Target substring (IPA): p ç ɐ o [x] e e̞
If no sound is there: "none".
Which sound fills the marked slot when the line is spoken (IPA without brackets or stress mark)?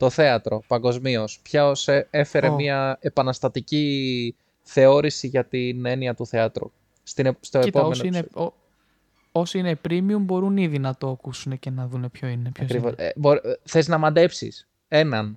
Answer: s